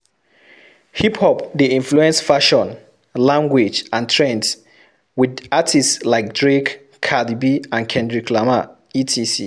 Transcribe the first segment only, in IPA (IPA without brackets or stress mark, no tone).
h